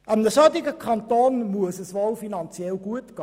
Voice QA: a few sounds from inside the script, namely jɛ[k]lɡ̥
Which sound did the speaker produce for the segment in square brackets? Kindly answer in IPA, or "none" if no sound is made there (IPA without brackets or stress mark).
none